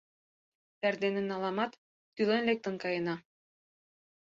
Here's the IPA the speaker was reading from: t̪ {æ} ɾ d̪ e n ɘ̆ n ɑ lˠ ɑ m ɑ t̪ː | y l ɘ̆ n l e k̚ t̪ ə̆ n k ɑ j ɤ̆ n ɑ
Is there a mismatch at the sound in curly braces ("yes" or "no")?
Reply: no